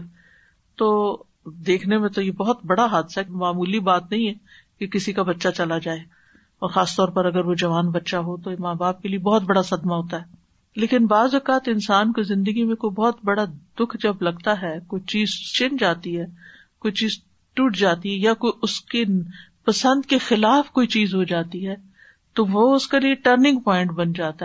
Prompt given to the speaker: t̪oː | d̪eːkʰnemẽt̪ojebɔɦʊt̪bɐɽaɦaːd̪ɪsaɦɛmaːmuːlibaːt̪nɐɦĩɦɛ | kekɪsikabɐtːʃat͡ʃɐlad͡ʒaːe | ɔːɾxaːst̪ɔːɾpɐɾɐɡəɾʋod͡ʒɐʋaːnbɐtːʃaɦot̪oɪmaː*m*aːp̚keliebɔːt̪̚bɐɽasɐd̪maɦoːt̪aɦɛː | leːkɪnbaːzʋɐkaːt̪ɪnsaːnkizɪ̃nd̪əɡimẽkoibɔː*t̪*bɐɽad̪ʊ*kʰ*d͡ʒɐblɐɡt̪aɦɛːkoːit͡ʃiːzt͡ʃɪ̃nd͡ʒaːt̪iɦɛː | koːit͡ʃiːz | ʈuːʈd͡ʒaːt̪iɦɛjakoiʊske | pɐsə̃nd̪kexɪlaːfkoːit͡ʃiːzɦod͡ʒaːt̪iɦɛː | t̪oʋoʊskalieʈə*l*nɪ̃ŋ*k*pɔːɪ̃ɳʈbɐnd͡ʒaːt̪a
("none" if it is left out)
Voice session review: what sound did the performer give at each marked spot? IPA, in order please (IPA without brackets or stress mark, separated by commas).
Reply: b, t̪, kʰ, ɾ, ɡ